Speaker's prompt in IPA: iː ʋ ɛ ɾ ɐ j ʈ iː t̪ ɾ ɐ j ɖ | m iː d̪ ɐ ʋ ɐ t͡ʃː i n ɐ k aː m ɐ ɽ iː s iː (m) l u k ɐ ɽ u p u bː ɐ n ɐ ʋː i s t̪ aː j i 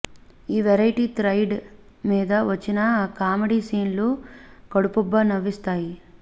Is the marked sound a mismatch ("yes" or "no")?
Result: yes